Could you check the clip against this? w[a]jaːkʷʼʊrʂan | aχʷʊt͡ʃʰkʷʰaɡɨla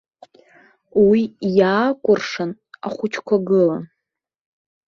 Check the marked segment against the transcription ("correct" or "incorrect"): incorrect